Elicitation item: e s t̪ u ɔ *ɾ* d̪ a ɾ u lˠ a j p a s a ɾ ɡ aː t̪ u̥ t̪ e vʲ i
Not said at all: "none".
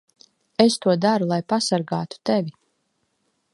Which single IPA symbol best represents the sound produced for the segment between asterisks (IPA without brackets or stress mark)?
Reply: none